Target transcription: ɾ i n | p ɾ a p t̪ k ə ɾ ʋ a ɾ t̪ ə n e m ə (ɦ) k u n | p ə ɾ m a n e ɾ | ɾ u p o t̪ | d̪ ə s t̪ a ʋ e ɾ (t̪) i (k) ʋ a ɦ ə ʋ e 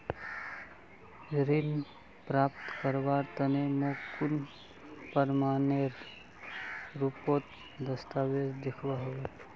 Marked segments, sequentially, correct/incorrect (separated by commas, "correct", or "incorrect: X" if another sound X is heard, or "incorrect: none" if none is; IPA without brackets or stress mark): incorrect: none, incorrect: d̪, incorrect: kʰ